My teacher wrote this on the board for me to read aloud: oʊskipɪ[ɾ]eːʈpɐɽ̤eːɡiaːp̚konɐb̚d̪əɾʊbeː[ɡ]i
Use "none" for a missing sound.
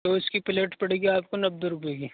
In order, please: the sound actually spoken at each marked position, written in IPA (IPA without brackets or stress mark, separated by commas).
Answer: l, ɡ